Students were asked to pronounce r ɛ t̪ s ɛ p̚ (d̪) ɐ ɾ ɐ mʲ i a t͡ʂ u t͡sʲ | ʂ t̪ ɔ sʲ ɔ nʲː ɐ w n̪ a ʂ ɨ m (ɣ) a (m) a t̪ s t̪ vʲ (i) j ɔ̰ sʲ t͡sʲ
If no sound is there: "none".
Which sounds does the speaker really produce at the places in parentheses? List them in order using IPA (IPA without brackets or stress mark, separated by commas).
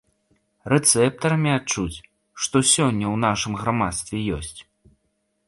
t̪, ɣ, m, ɛ